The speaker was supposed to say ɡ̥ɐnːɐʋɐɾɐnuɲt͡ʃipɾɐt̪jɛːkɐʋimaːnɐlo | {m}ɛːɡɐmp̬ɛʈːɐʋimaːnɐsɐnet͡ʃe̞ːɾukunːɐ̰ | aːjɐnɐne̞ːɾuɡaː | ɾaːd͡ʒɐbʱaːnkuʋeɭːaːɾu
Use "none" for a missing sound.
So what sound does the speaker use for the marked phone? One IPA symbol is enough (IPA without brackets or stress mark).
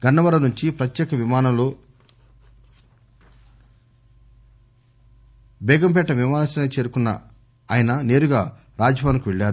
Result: b